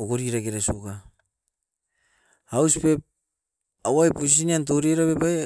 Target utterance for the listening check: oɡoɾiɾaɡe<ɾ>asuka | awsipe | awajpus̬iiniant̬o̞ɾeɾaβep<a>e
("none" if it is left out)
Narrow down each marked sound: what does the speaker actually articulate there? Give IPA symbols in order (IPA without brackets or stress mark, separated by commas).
ɾ, a